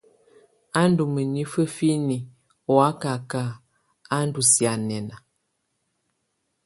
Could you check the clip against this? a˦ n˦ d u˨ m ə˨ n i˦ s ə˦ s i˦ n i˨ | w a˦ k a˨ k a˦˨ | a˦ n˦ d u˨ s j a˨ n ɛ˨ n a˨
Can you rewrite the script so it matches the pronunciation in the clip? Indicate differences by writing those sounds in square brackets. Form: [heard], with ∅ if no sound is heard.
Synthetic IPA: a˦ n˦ d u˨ m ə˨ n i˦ [f] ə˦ [f] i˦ n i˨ | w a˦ k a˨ k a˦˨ | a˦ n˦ d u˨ s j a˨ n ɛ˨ n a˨